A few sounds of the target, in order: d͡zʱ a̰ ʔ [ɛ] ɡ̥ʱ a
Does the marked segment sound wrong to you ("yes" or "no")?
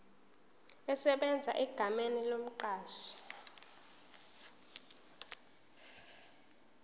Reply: no